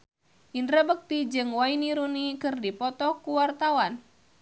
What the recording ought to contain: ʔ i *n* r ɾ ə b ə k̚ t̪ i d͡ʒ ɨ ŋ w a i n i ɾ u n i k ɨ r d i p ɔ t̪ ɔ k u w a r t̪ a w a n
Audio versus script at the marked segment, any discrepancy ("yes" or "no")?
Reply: no